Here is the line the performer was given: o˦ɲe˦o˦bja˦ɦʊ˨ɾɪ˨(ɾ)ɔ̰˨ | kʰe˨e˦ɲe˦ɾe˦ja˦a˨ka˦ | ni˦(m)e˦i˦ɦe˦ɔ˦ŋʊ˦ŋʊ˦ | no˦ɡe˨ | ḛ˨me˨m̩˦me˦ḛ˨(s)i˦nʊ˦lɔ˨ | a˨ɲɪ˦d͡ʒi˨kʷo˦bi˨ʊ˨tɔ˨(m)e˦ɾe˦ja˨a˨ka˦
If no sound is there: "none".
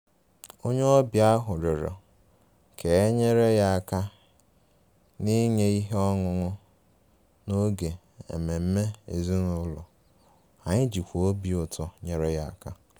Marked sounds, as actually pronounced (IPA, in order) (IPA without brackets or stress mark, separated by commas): ɾ, ɲ, z, ɲ